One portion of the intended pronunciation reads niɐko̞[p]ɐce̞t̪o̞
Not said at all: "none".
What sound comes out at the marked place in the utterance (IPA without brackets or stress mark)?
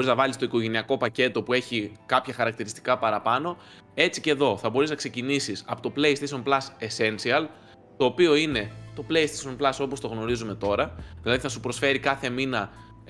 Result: p